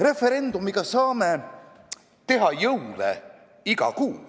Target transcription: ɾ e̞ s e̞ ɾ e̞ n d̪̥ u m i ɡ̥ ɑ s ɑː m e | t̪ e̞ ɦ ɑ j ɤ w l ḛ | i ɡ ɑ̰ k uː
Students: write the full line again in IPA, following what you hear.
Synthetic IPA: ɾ e̞ f e̞ ɾ e̞ n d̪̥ u m i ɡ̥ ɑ s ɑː m e | t̪ e̞ ɦ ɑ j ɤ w l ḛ | i ɡ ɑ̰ k uː